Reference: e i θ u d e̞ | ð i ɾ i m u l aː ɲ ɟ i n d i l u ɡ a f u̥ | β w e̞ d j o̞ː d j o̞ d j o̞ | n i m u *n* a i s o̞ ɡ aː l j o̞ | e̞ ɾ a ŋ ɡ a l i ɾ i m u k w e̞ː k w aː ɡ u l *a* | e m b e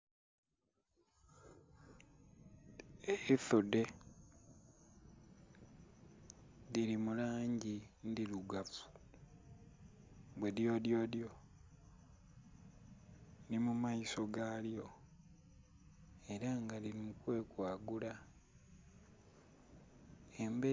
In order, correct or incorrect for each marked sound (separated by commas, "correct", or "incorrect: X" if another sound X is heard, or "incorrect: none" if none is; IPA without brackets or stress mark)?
incorrect: m, correct